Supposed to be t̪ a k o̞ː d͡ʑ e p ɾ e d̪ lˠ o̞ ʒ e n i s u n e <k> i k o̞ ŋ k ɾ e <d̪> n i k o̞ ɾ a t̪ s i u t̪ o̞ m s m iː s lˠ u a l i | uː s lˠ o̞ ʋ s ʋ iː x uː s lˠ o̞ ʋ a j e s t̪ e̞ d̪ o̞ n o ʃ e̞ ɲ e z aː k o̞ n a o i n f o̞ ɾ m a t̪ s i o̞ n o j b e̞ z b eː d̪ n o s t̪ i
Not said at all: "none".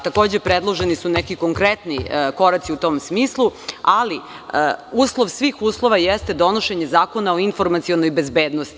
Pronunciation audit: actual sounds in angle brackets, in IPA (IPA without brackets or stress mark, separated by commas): k, t̪